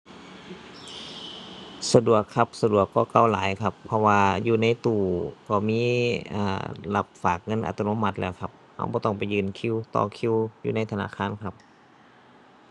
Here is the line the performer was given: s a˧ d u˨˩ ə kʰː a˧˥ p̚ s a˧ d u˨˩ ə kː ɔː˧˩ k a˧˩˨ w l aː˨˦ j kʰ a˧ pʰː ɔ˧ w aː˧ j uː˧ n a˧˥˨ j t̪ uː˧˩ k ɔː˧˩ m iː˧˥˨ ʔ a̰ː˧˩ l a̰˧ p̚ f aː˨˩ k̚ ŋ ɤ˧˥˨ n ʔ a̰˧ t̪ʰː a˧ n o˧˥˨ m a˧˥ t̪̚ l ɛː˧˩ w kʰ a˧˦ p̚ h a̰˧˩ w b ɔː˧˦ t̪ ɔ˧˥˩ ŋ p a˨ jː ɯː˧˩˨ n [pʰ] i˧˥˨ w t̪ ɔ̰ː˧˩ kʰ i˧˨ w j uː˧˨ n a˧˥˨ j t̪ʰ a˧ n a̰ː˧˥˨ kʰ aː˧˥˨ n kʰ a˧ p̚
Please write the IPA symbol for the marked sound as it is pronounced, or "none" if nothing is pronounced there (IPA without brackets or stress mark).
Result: kʰ